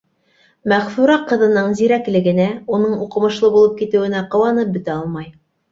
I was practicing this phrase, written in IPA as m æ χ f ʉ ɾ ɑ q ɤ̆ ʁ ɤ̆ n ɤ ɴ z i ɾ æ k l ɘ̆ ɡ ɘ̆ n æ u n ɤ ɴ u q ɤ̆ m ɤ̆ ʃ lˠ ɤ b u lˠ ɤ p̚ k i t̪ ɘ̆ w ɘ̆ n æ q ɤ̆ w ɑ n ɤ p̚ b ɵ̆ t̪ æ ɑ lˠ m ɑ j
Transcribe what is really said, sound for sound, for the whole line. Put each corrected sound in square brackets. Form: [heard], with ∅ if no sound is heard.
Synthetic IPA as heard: m æ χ f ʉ ɾ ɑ q ɤ̆ [ð] ɤ̆ n ɤ ɴ z i ɾ æ k l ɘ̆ ɡ ɘ̆ n æ u n ɤ ɴ u q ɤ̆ m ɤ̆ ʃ lˠ ɤ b u lˠ ɤ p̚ k i t̪ ɘ̆ w ɘ̆ n æ q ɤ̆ w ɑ n ɤ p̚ b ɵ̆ t̪ æ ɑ lˠ m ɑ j